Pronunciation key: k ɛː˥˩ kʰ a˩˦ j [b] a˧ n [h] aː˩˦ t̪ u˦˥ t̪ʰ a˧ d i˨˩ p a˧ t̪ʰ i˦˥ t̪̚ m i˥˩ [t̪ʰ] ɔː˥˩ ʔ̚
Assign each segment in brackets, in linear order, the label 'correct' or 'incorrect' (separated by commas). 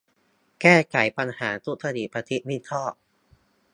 incorrect, correct, correct